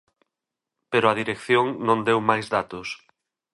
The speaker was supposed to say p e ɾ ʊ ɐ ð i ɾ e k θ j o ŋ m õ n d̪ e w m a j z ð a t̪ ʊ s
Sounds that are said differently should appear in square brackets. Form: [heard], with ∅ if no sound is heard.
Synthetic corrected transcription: p e ɾ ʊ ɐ ð i ɾ e k θ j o ŋ [n] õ n d̪ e w m a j z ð a t̪ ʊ s